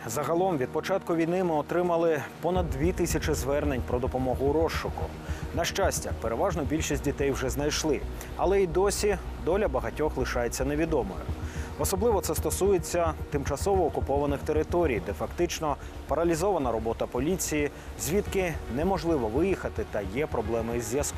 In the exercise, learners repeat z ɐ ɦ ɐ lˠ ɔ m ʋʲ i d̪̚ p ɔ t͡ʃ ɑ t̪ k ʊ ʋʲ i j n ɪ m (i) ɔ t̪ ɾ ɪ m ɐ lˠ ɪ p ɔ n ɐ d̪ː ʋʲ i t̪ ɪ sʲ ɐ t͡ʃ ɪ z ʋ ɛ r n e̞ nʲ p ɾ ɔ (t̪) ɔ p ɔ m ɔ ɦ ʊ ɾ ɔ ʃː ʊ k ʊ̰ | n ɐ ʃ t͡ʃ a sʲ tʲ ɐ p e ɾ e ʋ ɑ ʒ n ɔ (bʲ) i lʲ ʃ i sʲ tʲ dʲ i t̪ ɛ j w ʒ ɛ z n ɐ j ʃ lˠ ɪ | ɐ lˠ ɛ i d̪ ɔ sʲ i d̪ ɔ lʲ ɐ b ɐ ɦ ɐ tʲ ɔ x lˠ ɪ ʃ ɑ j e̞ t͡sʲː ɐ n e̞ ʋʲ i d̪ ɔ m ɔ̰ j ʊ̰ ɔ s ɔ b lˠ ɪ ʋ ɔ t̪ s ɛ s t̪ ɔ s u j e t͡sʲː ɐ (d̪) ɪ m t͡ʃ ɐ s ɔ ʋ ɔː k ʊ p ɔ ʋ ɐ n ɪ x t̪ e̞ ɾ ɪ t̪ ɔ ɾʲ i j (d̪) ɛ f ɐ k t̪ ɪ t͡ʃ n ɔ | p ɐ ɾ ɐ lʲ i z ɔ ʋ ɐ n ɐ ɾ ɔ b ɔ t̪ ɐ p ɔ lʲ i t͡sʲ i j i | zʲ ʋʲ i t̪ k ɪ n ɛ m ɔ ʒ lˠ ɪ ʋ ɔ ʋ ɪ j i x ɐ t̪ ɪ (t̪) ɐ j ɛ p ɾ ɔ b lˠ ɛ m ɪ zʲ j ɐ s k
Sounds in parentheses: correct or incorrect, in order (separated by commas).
incorrect, incorrect, correct, incorrect, correct, correct